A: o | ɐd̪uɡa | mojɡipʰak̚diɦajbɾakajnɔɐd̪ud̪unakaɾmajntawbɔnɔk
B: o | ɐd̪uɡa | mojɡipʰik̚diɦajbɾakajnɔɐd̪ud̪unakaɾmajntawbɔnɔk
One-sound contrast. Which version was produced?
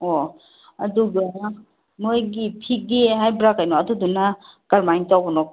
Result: B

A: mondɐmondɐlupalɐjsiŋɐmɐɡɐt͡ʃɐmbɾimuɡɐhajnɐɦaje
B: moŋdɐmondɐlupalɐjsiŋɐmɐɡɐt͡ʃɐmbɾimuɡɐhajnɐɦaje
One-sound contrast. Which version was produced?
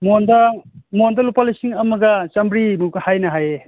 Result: A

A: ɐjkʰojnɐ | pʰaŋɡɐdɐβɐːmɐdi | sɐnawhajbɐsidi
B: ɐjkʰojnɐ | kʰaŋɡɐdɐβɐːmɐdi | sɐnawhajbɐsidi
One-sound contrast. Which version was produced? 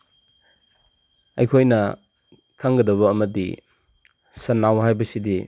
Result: B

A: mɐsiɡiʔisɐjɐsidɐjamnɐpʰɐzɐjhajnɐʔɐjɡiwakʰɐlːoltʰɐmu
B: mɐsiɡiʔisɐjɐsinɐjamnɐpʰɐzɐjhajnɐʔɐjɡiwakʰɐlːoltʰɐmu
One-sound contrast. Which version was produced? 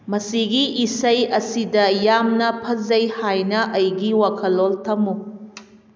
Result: A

